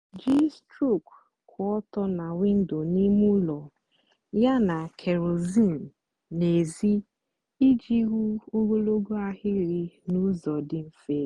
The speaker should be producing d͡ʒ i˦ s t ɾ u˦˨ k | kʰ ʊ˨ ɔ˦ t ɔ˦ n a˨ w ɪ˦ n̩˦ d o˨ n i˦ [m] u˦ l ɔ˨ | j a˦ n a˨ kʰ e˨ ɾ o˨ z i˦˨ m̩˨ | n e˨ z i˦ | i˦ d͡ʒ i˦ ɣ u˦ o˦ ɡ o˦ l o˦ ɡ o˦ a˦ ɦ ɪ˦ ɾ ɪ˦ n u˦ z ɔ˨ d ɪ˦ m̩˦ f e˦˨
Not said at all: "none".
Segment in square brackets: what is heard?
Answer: m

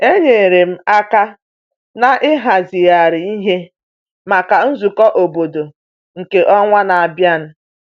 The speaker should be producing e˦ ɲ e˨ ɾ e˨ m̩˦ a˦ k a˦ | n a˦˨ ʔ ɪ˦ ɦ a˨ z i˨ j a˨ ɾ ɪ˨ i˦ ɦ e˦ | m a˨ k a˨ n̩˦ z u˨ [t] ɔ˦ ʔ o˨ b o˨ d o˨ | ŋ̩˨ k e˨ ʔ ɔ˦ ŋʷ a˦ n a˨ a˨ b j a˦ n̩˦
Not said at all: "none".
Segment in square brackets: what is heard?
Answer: k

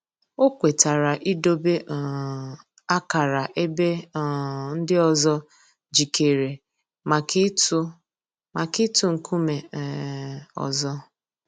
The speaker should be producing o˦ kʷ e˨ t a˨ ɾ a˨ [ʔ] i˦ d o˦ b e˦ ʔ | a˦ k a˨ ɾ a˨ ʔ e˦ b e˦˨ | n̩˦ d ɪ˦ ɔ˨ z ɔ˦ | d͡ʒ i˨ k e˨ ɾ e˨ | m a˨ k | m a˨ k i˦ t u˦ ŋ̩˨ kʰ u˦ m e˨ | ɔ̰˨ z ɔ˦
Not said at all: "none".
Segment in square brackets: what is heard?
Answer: ʔ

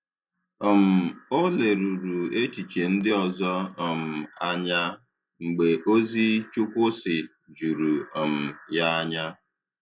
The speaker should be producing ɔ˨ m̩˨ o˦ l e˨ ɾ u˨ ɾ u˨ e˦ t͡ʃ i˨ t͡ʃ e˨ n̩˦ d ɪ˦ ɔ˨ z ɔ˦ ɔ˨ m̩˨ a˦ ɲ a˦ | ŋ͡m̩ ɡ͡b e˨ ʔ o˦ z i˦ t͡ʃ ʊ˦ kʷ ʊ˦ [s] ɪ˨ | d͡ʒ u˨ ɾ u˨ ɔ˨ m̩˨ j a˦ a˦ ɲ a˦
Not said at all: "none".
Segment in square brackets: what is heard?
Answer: s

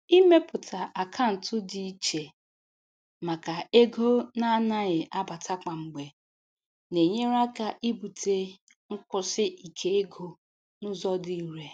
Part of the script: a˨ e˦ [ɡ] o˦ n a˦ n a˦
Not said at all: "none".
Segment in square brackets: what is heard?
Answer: ɡ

